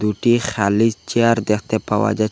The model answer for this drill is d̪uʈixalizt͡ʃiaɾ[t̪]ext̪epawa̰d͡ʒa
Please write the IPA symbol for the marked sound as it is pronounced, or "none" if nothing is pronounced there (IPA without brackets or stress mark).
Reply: d̪